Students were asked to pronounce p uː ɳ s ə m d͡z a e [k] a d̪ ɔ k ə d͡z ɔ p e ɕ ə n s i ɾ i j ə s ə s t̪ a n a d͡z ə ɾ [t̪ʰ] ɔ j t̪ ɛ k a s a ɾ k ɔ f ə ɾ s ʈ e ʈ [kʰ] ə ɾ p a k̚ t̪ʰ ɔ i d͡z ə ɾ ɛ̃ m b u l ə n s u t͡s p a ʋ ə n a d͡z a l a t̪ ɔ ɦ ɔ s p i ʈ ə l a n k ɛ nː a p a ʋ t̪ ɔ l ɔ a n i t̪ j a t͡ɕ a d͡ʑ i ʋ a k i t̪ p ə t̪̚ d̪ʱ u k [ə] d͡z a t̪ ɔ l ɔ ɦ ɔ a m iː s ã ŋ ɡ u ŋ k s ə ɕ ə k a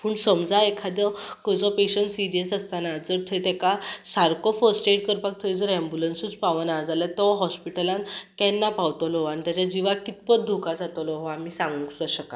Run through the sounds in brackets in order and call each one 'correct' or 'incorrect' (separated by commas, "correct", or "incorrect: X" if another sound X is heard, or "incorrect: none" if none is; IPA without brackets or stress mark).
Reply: incorrect: kʰ, correct, incorrect: k, incorrect: a